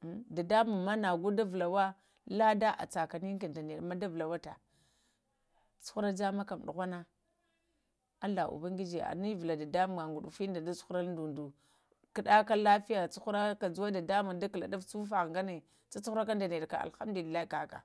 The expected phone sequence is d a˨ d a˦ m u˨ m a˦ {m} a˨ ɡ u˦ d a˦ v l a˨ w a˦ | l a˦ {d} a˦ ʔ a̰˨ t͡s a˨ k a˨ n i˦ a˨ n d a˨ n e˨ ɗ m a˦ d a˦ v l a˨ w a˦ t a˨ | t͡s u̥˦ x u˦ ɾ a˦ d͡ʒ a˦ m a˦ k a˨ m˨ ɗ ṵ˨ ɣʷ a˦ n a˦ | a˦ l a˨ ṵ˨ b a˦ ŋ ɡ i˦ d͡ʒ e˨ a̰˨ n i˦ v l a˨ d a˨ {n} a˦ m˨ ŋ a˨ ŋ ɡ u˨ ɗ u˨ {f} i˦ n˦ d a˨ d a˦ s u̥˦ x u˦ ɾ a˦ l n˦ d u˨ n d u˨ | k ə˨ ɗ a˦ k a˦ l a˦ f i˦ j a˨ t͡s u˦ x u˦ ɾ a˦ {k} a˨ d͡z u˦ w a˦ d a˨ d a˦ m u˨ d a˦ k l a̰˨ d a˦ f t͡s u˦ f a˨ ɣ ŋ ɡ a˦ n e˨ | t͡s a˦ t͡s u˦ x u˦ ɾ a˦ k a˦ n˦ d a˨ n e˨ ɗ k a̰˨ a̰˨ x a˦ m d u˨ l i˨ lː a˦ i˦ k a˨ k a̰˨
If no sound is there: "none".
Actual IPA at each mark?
n, d, d, f, k

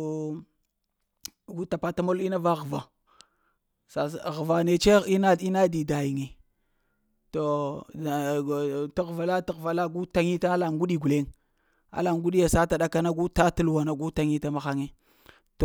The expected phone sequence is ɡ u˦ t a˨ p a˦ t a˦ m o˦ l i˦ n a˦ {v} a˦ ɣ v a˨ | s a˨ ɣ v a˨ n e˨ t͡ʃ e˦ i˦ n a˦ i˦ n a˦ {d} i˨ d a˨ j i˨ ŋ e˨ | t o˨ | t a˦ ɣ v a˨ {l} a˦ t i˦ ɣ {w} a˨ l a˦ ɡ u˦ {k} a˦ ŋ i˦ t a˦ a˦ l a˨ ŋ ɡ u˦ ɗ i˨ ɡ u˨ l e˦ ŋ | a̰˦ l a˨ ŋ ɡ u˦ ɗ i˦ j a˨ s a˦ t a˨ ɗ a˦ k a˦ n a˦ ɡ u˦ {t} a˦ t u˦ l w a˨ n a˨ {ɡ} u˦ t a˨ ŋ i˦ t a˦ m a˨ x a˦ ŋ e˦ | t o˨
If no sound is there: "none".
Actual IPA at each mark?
v, d, l, v, t, t, ɡ

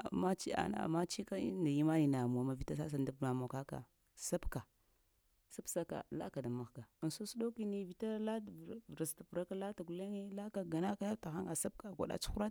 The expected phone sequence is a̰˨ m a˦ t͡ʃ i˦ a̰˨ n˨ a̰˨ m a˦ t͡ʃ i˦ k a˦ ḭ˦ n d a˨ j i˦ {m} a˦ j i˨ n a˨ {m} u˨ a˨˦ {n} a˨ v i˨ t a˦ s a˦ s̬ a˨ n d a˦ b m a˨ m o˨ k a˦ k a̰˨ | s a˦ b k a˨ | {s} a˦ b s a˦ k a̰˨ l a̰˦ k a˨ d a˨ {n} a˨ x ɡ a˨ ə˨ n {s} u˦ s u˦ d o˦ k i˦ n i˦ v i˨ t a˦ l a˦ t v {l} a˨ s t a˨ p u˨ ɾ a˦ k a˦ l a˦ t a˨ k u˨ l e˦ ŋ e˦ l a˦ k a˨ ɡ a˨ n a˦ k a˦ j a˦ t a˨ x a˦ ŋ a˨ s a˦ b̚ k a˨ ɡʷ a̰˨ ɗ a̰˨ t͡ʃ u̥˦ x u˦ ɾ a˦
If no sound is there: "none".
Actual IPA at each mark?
m, m, m, s, m, s, ɾ

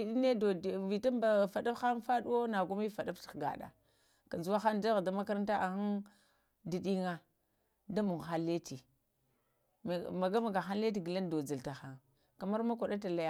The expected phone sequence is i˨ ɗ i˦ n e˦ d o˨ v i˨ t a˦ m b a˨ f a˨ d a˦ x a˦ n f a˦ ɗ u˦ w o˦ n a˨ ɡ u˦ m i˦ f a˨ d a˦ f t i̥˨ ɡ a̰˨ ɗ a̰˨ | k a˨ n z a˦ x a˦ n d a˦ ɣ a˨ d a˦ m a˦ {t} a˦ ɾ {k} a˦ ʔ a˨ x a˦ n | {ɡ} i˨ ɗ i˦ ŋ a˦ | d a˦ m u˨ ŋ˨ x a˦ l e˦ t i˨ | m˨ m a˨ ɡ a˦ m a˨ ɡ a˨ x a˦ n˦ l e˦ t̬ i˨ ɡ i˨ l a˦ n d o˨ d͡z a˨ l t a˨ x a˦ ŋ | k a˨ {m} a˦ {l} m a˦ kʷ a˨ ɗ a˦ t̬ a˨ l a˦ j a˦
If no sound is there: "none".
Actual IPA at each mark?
k, t, d, m, ɾ

